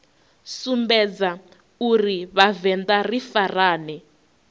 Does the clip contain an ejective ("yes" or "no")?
no